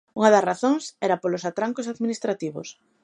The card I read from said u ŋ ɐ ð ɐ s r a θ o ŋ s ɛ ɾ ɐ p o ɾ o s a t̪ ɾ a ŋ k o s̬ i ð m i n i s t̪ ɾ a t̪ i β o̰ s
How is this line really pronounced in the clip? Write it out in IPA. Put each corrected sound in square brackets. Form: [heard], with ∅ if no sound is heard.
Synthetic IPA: u ŋ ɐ ð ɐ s r a θ o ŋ s ɛ ɾ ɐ p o [l] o s a t̪ ɾ a ŋ k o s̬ [a] ð m i n i s t̪ ɾ a t̪ i β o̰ s

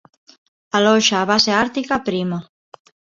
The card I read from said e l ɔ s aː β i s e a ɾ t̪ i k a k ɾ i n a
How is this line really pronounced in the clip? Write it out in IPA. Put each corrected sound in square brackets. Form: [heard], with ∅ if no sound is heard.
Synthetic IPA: [a] l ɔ [ʃ] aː β [a] s e a ɾ t̪ i k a [p] ɾ i [m] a

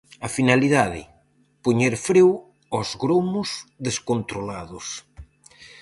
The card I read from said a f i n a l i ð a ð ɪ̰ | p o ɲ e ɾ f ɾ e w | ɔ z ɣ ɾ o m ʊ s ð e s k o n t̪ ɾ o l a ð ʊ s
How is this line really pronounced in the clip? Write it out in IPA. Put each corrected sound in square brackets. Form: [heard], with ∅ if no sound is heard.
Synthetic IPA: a f i n a l i ð a ð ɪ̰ | p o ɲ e ɾ f ɾ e w | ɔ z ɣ ɾ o m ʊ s ð e s k o n t̪ ɾ o l a ð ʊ s

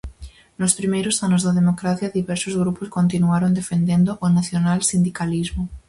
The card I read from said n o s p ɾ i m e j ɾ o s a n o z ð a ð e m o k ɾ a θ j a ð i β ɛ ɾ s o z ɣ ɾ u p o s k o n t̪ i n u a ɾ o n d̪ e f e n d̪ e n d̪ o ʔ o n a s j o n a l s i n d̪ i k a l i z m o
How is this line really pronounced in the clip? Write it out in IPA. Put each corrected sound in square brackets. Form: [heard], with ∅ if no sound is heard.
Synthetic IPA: n o s p ɾ i m e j ɾ o s a n o z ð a ð e m o k ɾ a θ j a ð i β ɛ ɾ s o z ɣ ɾ u p o s k o n t̪ i n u a ɾ o n d̪ e f e n d̪ e n d̪ o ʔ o n a [θ] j o n a l s i n d̪ i k a l i z m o

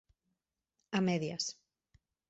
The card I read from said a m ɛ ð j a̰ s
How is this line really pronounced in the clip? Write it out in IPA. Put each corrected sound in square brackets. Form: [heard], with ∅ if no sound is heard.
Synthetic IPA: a m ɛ ð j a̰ s

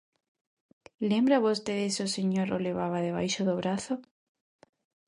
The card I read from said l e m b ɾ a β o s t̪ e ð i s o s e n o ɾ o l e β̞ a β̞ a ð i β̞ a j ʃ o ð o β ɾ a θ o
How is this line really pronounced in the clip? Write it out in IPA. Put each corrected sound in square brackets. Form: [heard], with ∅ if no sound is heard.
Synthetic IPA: l e m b ɾ a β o s t̪ e ð [e] s o s e [ɲ] o ɾ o l e β̞ a β̞ a ð [e] β̞ a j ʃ o ð o β ɾ a θ o

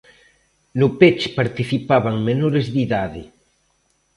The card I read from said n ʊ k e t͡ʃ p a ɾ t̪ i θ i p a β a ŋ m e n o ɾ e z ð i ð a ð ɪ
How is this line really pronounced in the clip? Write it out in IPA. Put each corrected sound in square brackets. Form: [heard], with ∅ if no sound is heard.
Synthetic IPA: n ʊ [p] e t͡ʃ p a ɾ t̪ i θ i p a β a ŋ m e n o ɾ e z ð i ð a ð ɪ

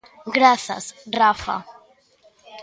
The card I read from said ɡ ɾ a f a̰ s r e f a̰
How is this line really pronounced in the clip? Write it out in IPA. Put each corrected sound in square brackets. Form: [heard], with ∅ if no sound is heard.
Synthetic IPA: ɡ ɾ a [θ] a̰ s r [a] f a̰

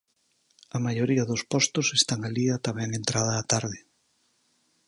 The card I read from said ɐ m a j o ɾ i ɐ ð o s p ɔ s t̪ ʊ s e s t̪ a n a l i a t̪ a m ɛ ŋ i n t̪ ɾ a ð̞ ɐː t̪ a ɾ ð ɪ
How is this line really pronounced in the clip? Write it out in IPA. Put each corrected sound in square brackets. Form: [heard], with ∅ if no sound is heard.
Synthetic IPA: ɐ m a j o ɾ i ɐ ð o s p ɔ s t̪ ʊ s e s t̪ a [ŋ] a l i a t̪ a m ɛ ŋ [e] n t̪ ɾ a ð̞ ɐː t̪ a ɾ ð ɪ

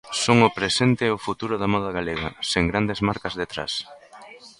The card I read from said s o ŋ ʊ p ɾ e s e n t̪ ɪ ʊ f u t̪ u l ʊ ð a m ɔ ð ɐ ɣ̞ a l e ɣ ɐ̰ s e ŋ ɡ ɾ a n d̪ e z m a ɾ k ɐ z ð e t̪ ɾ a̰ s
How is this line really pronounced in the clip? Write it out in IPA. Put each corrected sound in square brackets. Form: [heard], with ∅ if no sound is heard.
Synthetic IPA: s o ŋ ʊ p ɾ e s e n t̪ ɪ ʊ f u t̪ u [ɾ] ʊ ð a m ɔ ð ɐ ɣ̞ a l e ɣ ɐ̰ s e ŋ ɡ ɾ a n d̪ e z m a ɾ k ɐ z ð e t̪ ɾ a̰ s

